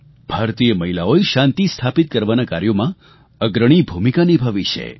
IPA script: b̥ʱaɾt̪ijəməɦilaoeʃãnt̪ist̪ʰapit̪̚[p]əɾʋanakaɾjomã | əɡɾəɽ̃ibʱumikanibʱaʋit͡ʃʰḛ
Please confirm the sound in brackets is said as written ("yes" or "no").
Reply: no